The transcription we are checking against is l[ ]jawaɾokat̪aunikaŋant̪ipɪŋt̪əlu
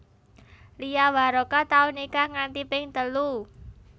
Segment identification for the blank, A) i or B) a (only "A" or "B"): A